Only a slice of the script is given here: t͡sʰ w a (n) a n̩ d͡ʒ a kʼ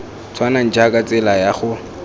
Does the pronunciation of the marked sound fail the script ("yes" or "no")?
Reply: no